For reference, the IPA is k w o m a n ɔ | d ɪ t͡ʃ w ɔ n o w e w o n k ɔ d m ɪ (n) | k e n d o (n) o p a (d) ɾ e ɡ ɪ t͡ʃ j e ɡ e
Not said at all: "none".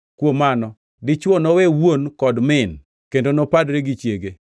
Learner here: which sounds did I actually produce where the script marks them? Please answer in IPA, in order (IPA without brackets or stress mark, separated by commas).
n, n, d